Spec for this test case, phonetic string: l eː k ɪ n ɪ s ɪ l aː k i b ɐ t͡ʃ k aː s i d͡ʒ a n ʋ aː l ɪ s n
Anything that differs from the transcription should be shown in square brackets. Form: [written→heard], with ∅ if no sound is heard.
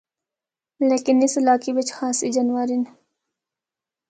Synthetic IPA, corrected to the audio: l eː k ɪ n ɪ s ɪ l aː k i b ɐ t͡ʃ [k→x] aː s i d͡ʒ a n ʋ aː [l→ɾ] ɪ [s→∅] n